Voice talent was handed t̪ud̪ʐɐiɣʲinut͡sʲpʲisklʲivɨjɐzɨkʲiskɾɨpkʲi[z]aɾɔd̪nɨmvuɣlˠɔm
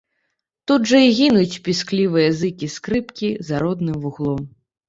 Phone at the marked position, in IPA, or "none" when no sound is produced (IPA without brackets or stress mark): z